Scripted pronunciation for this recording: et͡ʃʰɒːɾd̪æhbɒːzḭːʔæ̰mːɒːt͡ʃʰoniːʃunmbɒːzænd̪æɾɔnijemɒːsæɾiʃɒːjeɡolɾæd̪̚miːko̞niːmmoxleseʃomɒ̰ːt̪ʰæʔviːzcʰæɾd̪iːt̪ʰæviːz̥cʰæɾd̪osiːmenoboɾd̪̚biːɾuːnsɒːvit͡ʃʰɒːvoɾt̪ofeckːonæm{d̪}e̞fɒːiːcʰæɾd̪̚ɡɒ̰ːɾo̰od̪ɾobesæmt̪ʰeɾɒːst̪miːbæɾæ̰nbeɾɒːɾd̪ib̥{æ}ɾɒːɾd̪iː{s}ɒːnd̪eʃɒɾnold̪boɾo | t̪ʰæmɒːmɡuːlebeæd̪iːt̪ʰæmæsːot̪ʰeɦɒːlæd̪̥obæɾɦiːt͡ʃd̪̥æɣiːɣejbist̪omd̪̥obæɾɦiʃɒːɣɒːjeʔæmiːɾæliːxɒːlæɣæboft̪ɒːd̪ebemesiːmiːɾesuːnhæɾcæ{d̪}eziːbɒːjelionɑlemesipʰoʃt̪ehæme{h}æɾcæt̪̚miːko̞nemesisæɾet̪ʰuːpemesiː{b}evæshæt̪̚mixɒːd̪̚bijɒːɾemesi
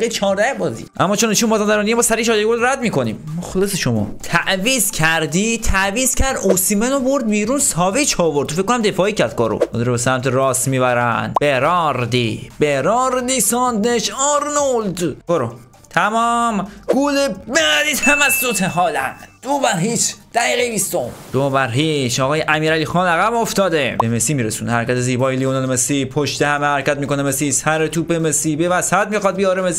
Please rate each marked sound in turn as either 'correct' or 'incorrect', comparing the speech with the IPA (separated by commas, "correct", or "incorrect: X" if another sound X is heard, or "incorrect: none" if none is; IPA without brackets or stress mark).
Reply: correct, incorrect: e, correct, incorrect: t̪, correct, correct